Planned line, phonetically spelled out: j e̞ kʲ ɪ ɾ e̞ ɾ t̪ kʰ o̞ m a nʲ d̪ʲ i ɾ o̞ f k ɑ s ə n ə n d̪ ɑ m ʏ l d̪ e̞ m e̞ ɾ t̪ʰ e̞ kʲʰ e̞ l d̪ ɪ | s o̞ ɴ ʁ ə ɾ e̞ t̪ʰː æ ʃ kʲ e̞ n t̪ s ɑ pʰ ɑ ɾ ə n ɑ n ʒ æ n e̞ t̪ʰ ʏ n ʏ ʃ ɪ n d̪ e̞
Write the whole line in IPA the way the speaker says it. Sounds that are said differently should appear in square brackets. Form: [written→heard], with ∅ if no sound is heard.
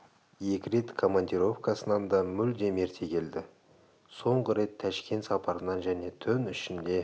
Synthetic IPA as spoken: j e̞ kʲ ɪ ɾ e̞ [ɾ→∅] t̪ kʰ o̞ m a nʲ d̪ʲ i ɾ o̞ f k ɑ s ə n [ə→ɑ] n d̪ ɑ m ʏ l d̪ e̞ m e̞ ɾ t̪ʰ e̞ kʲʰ e̞ l d̪ ɪ | s o̞ ɴ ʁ ə ɾ e̞ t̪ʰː æ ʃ kʲ e̞ n t̪ s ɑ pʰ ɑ ɾ ə n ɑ n ʒ æ n e̞ t̪ʰ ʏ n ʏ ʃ ɪ n d̪ e̞